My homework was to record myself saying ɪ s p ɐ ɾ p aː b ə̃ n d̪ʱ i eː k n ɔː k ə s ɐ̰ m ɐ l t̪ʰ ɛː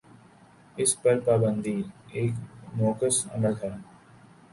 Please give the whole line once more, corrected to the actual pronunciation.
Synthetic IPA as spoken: ɪ s p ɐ ɾ p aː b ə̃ n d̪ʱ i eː k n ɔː k ə s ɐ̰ m ə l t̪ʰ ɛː